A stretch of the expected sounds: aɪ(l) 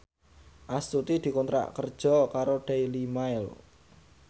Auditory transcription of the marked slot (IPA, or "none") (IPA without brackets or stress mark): l